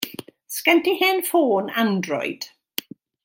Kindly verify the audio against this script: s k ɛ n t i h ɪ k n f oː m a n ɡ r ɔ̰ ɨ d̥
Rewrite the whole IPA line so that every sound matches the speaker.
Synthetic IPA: s k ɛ n t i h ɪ n f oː n a n d r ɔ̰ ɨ d̥

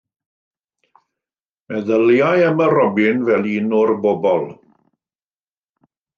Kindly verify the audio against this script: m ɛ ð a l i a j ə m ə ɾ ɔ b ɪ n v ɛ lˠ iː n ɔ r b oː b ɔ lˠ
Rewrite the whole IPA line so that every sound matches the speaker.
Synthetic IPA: m ɛ ð ə l j a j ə m ə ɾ ɔ b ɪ n v ɛ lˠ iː n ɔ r b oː b ɔ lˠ

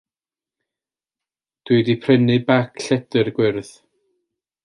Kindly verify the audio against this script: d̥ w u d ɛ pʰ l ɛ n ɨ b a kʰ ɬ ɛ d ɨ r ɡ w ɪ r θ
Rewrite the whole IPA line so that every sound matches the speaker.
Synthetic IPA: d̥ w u d i pʰ r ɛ n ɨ b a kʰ ɬ ɛ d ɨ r ɡ w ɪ r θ

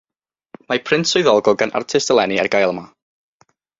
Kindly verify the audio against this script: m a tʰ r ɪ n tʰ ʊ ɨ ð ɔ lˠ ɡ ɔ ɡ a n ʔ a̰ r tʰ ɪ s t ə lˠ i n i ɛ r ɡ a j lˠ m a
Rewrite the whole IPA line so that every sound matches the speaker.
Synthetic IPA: m a pʰ r ɪ n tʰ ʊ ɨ ð ɔ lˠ ɡ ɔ ɡ a n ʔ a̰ r tʰ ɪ s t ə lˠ ɛ n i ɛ r ɡ a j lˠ m a

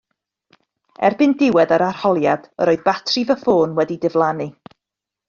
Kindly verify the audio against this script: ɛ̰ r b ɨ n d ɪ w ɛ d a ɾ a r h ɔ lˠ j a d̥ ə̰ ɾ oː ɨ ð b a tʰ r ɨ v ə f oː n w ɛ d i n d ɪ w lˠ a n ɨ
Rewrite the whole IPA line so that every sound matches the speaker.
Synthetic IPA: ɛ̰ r b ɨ n d ɪ w ɛ d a ɾ a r h ɔ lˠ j a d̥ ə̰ ɾ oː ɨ ð b a tʰ r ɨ v ə f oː n w ɛ d i d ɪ v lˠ a n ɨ

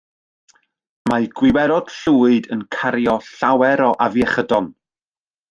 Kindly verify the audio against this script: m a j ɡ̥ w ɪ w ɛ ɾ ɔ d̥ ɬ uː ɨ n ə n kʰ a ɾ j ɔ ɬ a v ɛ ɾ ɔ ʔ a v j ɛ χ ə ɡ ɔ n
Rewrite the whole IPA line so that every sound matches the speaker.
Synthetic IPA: m a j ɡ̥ w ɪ w ɛ ɾ ɔ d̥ ɬ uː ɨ d ə n kʰ a ɾ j ɔ ɬ a w ɛ ɾ ɔ ʔ a v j ɛ χ ə d ɔ n

